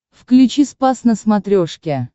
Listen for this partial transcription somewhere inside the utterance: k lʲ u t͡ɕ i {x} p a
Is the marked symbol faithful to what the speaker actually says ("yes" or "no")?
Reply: no